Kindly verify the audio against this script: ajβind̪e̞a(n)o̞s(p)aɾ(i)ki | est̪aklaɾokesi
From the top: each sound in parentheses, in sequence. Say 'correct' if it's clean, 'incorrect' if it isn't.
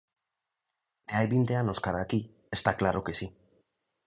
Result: correct, incorrect, incorrect

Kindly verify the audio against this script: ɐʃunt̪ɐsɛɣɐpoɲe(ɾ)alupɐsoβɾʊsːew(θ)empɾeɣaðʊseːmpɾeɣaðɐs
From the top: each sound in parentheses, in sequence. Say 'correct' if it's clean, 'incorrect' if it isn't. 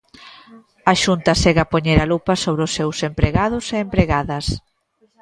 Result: correct, incorrect

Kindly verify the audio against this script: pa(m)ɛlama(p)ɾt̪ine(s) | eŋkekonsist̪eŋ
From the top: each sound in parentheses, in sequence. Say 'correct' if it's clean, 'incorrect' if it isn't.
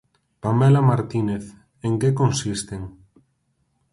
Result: correct, incorrect, incorrect

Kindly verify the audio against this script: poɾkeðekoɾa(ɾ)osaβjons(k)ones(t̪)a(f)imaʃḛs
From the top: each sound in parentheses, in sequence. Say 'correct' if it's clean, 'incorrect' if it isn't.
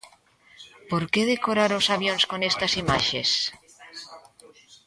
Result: correct, correct, correct, incorrect

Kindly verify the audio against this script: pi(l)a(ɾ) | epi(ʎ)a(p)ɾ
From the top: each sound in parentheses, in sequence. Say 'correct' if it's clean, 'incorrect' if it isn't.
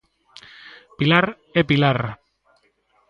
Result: correct, correct, incorrect, incorrect

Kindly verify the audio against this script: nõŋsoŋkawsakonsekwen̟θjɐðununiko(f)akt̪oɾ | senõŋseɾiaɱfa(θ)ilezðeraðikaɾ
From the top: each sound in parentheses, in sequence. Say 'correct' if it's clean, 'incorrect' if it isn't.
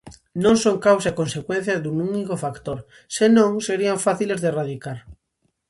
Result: correct, correct

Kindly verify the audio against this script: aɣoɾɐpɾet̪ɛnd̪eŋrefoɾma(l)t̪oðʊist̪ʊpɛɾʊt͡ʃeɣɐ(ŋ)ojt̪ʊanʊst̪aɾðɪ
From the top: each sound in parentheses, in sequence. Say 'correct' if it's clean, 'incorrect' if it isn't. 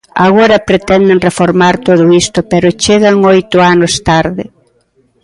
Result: incorrect, correct

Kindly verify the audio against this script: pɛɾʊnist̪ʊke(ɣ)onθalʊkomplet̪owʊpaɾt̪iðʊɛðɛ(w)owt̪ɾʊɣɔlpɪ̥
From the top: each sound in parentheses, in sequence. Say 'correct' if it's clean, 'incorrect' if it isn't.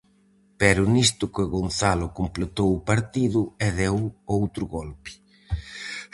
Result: correct, correct

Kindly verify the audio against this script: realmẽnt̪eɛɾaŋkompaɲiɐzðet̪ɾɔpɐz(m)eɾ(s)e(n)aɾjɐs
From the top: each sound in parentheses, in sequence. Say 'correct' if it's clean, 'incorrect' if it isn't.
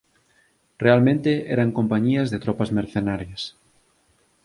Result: correct, incorrect, correct

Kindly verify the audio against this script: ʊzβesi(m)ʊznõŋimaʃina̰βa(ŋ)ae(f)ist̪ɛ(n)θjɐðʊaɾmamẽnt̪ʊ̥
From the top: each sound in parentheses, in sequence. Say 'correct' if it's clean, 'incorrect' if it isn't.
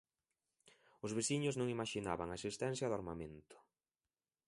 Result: incorrect, correct, incorrect, correct

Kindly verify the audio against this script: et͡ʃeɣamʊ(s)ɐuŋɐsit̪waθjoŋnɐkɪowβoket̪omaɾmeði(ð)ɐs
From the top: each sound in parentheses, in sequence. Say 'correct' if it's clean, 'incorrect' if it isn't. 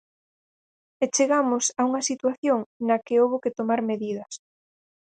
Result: correct, correct

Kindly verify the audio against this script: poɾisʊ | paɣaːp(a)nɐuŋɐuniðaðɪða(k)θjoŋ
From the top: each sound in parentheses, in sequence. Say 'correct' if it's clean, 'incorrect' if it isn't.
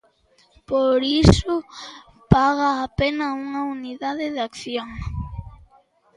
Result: incorrect, correct

